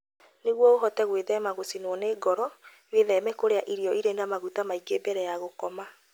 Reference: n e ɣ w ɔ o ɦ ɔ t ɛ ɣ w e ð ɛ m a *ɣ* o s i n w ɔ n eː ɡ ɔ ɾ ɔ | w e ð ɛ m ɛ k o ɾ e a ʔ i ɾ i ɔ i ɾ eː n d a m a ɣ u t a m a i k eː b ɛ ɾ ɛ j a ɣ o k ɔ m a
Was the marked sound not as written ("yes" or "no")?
no